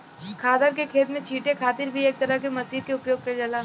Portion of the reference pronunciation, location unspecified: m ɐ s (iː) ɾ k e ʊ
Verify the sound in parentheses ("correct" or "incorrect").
correct